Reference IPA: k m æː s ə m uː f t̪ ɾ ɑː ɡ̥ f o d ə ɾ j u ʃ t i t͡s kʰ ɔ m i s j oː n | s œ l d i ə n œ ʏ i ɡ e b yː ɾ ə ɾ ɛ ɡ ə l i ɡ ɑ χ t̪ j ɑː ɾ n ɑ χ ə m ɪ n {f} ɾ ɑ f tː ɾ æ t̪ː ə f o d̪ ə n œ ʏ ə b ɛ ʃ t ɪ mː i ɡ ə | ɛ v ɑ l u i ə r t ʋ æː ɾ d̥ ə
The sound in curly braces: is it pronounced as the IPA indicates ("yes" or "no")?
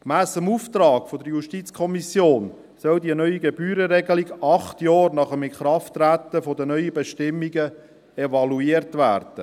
no